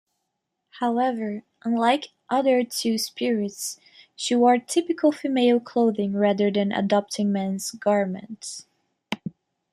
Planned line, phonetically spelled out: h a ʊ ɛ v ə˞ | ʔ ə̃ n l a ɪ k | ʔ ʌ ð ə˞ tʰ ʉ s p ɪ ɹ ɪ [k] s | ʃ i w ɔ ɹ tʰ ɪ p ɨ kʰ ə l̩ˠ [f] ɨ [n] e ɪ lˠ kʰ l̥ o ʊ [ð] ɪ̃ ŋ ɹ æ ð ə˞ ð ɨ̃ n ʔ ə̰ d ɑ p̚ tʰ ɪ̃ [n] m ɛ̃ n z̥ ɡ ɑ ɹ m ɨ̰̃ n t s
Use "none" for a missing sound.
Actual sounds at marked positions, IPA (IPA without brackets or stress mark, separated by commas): t, f, m, ð, ŋ